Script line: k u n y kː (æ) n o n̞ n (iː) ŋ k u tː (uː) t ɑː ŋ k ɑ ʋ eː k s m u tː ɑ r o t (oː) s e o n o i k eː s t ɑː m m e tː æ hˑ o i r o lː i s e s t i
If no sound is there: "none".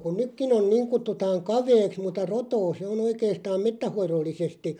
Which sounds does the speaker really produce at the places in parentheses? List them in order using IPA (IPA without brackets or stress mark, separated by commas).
i, iː, u, oː